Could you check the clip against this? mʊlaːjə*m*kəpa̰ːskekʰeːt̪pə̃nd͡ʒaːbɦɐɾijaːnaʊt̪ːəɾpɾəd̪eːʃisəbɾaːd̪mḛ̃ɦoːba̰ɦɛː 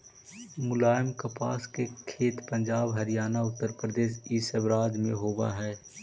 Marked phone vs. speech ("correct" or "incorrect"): correct